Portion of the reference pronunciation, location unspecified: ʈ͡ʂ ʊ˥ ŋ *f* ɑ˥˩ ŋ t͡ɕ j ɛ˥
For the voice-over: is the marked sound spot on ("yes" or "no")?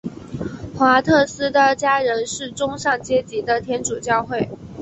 no